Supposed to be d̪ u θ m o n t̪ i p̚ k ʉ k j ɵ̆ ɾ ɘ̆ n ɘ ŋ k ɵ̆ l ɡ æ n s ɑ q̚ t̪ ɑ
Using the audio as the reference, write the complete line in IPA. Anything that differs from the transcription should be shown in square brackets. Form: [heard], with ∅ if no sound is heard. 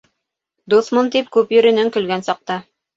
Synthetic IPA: d̪ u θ m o n t̪ i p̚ k ʉ [p] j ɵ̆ ɾ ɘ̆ n ɘ ŋ k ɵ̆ l ɡ æ n s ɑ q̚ t̪ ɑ